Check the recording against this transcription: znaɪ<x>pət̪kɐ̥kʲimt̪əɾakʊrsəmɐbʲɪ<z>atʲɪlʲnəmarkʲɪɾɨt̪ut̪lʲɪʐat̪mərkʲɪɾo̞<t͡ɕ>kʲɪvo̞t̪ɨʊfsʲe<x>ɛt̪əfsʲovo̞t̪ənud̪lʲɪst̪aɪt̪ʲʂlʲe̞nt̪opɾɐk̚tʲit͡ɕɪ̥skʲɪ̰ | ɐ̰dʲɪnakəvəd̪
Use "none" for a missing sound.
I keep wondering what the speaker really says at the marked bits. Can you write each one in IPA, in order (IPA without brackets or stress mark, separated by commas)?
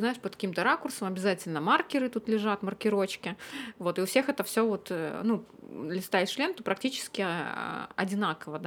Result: ʂ, z, t͡ɕ, x